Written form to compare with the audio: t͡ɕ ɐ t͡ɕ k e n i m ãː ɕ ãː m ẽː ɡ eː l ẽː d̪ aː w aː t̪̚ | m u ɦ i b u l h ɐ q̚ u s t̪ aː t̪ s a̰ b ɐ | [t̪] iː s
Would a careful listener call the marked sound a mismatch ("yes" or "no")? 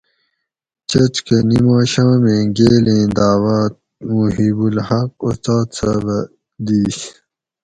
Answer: yes